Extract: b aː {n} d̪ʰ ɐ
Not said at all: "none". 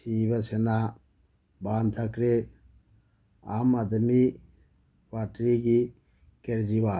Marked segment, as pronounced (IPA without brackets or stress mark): n